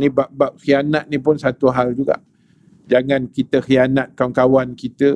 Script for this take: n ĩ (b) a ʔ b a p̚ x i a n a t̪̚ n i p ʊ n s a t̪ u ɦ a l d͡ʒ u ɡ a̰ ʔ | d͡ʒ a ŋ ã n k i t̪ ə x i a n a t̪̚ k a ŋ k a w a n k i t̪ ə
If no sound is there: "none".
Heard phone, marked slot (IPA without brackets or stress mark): b